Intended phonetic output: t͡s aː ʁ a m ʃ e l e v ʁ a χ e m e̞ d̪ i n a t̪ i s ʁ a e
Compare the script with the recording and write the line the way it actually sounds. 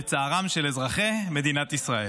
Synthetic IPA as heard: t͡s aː ʁ a m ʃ e l e z ʁ a χ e m e̞ d̪ i n a t̪ i s ʁ a e